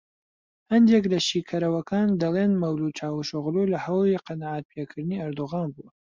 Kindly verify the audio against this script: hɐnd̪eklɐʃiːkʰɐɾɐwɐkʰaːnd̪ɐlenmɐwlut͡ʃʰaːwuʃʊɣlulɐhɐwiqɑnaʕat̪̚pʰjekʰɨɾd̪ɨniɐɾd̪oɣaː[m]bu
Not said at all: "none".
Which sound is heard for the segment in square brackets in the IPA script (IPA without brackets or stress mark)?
n